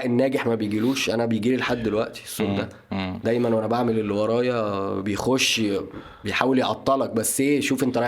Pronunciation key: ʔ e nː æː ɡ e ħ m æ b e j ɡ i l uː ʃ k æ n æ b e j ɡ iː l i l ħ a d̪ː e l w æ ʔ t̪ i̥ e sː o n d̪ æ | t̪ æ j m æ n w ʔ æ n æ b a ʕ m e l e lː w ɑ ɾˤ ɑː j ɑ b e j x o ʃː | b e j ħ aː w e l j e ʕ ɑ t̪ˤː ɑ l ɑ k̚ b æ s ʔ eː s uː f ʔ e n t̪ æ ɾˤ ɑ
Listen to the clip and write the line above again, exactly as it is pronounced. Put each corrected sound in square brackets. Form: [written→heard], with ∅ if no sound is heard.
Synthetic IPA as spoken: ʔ e nː æː ɡ e ħ m æ b e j ɡ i l uː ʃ [k→ʔ] æ n æ b e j ɡ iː l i l ħ a d̪ː e l w æ ʔ t̪ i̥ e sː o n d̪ æ | [t̪→d̪] æ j m æ n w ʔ æ n æ b a ʕ m e l e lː w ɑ ɾˤ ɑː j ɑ b e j x o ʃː | b e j ħ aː w e l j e ʕ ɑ t̪ˤː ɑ l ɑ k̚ b æ [s→sː] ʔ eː [s→ʃ] uː f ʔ e n t̪ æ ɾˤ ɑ